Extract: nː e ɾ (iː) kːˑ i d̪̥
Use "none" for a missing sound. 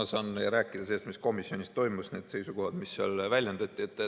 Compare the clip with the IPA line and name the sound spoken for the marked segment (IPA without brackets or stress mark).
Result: æː